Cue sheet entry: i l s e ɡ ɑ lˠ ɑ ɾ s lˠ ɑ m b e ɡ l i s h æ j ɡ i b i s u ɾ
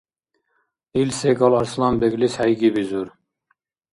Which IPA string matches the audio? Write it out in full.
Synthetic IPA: i l s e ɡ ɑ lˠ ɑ ɾ s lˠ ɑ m b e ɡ l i s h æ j ɡ i b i z u ɾ